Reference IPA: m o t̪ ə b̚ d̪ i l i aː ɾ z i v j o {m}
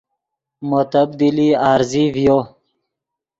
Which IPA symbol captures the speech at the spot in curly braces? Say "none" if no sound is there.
none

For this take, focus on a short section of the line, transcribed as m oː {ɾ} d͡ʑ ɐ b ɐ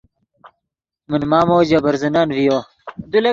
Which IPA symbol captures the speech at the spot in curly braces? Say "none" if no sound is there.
none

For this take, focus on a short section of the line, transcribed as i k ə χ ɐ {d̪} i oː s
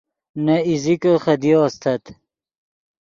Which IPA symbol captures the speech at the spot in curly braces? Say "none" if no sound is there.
d̪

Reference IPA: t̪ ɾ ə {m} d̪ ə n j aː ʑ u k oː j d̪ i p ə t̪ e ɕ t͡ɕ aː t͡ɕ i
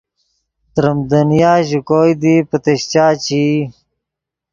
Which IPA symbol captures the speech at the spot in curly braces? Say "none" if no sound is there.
m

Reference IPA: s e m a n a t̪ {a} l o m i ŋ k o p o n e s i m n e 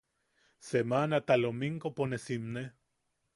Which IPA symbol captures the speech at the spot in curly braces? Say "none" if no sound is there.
a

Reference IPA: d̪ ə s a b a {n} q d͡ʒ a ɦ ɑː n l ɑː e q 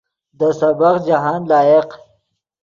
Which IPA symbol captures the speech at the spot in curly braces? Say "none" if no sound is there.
none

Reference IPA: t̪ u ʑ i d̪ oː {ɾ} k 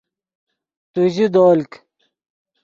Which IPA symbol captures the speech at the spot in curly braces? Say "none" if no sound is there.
l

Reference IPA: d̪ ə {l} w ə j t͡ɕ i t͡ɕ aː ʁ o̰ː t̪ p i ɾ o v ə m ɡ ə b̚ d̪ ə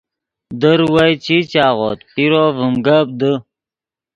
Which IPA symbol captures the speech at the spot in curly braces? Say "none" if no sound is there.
ɾ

